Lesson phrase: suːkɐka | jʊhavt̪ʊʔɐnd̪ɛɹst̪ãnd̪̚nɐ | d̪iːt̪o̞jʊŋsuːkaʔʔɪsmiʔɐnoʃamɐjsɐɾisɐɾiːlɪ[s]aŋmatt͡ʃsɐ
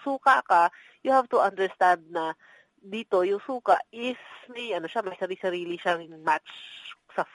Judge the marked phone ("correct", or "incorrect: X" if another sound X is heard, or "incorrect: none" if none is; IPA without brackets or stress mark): incorrect: ʃ